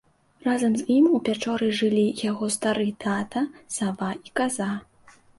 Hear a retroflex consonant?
yes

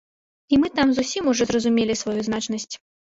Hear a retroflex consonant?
yes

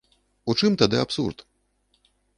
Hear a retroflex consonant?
yes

